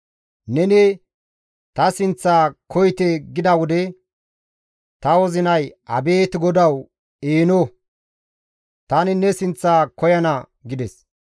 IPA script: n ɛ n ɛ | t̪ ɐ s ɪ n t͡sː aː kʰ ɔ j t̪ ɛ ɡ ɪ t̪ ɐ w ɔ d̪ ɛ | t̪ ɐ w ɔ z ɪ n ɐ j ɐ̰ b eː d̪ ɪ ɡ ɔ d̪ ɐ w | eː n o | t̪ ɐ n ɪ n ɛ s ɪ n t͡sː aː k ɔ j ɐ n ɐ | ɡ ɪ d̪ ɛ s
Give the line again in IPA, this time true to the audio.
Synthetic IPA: n ɛ n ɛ | t̪ ɐ s ɪ n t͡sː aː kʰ ɔ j t̪ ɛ ɡ ɪ d̪ ɐ w ɔ d̪ ɛ | t̪ ɐ w ɔ z ɪ n ɐ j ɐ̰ b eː t̪ ɪ ɡ ɔ d̪ ɐ w | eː n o | t̪ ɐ n ɪ n ɛ s ɪ n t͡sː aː k ɔ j ɐ n ɐ | ɡ ɪ d̪ ɛ s

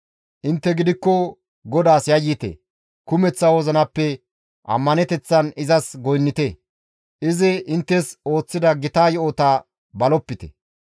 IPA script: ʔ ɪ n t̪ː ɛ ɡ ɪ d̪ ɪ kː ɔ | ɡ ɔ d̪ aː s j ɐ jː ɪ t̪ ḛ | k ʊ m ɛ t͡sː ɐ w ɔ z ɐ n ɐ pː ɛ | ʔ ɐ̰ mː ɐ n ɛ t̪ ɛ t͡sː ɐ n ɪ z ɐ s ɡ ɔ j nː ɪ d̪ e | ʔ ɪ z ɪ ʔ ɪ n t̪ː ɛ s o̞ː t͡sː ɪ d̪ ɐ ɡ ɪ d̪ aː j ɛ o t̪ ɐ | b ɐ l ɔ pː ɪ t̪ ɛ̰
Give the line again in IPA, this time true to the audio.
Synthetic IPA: ʔ ɪ n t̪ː ɛ ɡ ɪ d̪ ɪ kː ɔ | ɡ ɔ d̪ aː s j ɐ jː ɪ t̪ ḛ | k ʊ m ɛ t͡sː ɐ w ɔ z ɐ n ɐ pː ɛ | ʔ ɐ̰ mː ɐ n ɛ t̪ ɛ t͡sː ɐ n ɪ z ɐ s ɡ ɔ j nː ɪ t̪ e | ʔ ɪ z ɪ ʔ ɪ n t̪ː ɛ s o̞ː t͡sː ɪ d̪ ɐ ɡ ɪ t̪ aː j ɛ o t̪ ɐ | b ɐ l ɔ pː ɪ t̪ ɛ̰

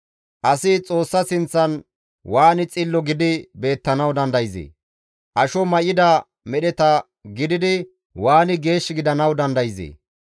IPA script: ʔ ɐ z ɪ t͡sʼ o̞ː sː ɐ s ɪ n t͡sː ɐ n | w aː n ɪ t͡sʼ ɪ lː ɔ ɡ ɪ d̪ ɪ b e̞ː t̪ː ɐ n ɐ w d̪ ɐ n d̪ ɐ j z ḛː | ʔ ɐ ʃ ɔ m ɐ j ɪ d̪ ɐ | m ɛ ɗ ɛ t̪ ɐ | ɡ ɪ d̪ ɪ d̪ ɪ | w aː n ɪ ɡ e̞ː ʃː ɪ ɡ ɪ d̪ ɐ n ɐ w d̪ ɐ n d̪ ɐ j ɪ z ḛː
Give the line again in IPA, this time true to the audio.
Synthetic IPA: ʔ ɐ s ɪ t͡sʼ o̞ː sː ɐ s ɪ n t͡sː ɐ n | w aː n ɪ t͡sʼ ɪ lː ɔ ɡ ɪ d̪ ɪ b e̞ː t̪ː ɐ n ɐ w d̪ ɐ n d̪ ɐ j z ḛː | ʔ ɐ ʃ ɔ m ɐ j ɪ d̪ ɐ | m ɛ ɗ ɛ t̪ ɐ | ɡ ɪ d̪ ɪ d̪ ɪ | w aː n ɪ ɡ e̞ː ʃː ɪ ɡ ɪ d̪ ɐ n ɐ w d̪ ɐ n d̪ ɐ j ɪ z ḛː

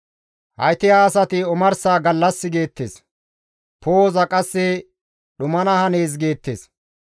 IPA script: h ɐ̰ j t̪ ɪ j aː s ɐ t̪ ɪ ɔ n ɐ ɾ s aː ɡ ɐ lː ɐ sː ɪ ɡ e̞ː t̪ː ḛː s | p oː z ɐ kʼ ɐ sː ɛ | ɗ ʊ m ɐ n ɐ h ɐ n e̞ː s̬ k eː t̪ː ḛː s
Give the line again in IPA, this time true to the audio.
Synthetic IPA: h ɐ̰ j t̪ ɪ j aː s ɐ t̪ ɪ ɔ m ɐ ɾ s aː ɡ ɐ lː ɐ sː ɪ ɡ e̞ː t̪ː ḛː s | p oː z ɐ kʼ ɐ sː ɛ | ɗ ʊ m ɐ n ɐ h ɐ n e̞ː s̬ ɡ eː t̪ː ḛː s

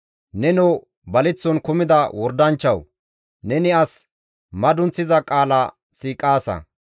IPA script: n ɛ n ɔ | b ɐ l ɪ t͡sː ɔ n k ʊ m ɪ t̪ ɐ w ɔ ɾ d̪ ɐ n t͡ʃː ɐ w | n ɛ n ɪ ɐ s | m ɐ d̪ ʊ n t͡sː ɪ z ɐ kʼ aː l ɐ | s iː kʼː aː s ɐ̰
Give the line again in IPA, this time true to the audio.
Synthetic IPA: n ɛ n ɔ | b ɐ l ɪ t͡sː ɔ n k ʊ m ɪ d̪ ɐ w ɔ ɾ d̪ ɐ n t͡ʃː ɐ w | n ɛ n ɪ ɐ s | m ɐ d̪ ʊ n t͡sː ɪ z ɐ kʼ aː l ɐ | s iː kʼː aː s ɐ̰

